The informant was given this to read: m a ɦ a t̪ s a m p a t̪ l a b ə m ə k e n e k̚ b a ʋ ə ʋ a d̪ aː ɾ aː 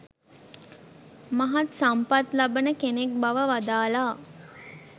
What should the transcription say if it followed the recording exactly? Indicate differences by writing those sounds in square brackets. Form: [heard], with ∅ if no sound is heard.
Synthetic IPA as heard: m a ɦ a t̪ s a m p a t̪ l a b ə [n] ə k e n e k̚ b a ʋ ə ʋ a d̪ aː [l] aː

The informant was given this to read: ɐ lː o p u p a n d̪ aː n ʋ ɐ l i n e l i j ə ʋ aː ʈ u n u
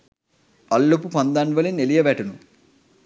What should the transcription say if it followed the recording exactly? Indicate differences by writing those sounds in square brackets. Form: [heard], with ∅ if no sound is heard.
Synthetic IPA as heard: ɐ lː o p u p [ɐ] n d̪ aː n ʋ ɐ l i n e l i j [ɐ] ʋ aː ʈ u n u

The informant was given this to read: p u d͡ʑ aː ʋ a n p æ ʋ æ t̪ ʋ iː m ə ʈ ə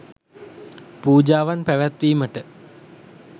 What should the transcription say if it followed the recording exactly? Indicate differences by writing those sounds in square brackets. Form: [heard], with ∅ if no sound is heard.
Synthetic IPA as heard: p [uː] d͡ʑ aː ʋ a n p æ ʋ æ t̪ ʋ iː m ə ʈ ə

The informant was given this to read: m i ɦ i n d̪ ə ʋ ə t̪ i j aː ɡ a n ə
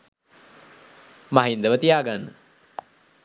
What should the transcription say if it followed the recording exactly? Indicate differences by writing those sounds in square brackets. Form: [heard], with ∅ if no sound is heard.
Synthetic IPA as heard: m [a] ɦ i n d̪ ə ʋ ə t̪ i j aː ɡ a [nː] ə

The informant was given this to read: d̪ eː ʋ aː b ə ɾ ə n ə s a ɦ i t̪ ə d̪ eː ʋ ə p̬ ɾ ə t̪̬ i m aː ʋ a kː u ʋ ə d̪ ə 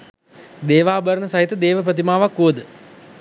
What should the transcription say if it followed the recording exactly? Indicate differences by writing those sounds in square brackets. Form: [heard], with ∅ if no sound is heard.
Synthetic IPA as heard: d̪ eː ʋ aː b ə ɾ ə n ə s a ɦ i t̪ ə d̪ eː ʋ ə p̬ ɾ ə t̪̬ i m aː ʋ a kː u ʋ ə d̪ ə

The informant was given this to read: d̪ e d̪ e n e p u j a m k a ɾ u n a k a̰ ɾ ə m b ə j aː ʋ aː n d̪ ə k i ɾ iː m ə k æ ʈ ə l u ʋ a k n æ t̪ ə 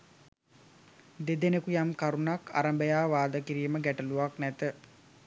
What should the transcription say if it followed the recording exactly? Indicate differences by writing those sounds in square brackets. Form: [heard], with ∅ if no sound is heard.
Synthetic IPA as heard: d̪ e d̪ e n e [k] u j a m k a ɾ u n a k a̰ ɾ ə m b ə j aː ʋ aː [∅] d̪ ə k i ɾ iː m ə [ɡ] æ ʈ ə l u ʋ a k n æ t̪ ə

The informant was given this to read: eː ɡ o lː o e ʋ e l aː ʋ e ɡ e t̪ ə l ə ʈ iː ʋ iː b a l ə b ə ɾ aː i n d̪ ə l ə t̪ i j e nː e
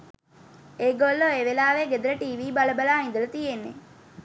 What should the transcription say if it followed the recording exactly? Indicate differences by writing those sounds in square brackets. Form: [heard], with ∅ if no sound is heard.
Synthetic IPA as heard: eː ɡ o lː o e ʋ e l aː ʋ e ɡ e [d̪] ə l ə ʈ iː ʋ iː b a l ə b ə [l] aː i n d̪ ə l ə t̪ i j e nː e

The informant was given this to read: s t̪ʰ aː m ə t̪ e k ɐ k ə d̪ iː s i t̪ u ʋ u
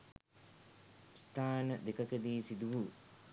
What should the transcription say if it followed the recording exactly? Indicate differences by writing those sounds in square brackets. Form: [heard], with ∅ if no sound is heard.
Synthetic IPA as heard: s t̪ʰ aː [n] ə [d̪] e k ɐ k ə d̪ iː s i [d̪] u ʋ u

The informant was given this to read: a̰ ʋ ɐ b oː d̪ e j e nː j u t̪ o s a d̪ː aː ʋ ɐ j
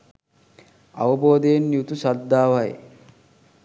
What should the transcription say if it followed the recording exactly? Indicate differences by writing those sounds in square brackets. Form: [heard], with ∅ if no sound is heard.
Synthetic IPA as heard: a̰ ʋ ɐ b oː d̪ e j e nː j u t̪ [u] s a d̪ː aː ʋ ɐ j

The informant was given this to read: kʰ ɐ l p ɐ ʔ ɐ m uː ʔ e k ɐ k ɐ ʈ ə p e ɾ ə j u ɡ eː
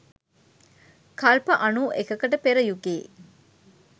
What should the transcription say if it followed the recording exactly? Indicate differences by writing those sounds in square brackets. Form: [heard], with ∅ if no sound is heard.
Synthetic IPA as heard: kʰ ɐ l p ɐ ʔ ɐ [n] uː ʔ e k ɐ k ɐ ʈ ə p e ɾ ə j u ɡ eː

